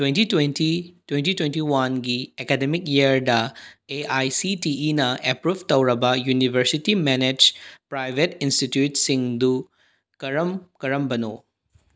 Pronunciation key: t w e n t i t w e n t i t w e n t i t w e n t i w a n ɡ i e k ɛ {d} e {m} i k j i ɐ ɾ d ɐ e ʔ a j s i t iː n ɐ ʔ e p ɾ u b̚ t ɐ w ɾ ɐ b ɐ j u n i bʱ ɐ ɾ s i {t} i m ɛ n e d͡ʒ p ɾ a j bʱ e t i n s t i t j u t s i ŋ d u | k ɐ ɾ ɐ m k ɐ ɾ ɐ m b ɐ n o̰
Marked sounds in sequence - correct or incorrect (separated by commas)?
correct, correct, correct